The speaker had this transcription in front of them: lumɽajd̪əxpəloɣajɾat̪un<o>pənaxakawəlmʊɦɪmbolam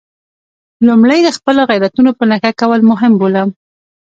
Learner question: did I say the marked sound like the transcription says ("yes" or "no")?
yes